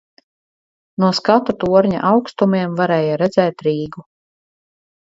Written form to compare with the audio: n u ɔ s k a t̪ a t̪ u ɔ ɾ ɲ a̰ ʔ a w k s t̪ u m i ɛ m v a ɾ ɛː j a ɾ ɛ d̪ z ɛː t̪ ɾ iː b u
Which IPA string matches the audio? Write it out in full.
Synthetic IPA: n u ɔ s k a t̪ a t̪ u ɔ ɾ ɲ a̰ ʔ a w k s t̪ u m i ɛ m v a ɾ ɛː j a ɾ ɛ d̪ z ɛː t̪ ɾ iː ɡ u